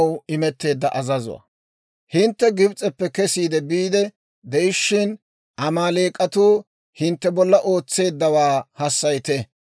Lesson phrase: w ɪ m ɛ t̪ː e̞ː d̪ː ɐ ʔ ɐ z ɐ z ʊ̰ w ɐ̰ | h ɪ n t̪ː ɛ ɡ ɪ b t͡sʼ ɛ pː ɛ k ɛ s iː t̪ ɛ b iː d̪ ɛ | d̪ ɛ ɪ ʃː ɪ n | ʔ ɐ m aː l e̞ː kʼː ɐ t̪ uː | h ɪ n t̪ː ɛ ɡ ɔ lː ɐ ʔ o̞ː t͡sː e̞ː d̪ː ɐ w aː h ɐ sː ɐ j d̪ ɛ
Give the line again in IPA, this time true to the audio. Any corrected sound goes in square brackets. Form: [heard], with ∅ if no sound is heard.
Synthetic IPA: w ɪ m ɛ t̪ː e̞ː d̪ː ɐ ʔ ɐ z ɐ z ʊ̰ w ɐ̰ | h ɪ n t̪ː ɛ ɡ ɪ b t͡sʼ ɛ pː ɛ k ɛ s iː [d̪] ɛ b iː d̪ ɛ | d̪ ɛ ɪ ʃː ɪ n | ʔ ɐ m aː l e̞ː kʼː ɐ t̪ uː | h ɪ n t̪ː ɛ [b] ɔ lː ɐ ʔ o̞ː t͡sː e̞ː d̪ː ɐ w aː h ɐ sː ɐ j [t̪] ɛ